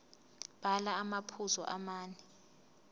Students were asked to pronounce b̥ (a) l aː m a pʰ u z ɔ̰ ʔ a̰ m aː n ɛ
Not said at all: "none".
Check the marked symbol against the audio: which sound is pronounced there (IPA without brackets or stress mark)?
a